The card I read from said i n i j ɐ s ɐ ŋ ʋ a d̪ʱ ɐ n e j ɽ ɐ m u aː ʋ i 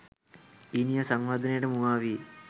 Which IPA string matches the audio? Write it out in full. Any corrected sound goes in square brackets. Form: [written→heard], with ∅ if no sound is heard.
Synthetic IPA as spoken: i n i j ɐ s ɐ ŋ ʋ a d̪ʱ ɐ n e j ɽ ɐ m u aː ʋ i